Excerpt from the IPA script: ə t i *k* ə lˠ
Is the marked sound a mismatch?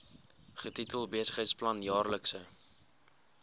yes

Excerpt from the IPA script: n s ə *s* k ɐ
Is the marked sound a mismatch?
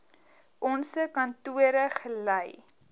yes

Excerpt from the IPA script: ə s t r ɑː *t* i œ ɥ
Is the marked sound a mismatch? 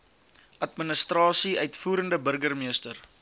yes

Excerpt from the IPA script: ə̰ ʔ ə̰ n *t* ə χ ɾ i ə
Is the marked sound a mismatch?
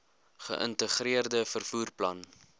no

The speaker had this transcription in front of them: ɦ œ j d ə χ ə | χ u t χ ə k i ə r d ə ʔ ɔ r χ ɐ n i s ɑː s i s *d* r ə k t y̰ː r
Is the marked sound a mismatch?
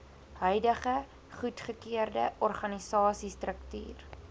yes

